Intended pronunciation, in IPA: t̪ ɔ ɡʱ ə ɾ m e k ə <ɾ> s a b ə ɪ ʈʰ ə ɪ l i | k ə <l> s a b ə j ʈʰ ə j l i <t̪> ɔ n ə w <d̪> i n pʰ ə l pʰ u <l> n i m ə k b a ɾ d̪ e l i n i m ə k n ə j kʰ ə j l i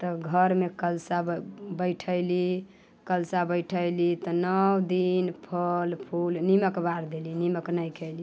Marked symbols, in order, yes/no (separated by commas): no, yes, yes, yes, yes